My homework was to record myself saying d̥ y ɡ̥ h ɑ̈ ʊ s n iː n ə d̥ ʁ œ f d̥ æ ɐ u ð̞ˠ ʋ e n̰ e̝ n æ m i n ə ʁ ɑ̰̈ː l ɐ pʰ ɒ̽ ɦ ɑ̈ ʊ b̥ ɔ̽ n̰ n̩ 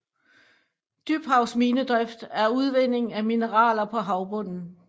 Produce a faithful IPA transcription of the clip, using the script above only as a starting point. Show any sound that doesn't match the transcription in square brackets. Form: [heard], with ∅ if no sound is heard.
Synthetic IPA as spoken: d̥ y [b̥] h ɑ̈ ʊ s [m] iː n ə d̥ ʁ œ f d̥ æ ɐ u ð̞ˠ ʋ e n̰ e̝ [ŋ] æ m i n ə ʁ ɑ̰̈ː l ɐ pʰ ɒ̽ ɦ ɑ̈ ʊ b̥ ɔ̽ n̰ n̩